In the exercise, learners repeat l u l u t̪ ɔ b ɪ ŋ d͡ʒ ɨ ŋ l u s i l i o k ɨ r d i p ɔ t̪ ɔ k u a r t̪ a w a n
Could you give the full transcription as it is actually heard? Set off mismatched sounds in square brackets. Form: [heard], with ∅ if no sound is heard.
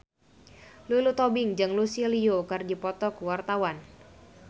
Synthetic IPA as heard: l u l u t̪ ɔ b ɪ ŋ d͡ʒ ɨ ŋ l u s i l i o k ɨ r d i p ɔ t̪ ɔ k [w] a r t̪ a w a n